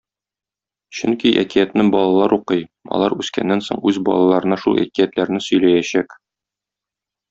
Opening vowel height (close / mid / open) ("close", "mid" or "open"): mid